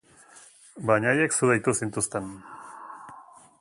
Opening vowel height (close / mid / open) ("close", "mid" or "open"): open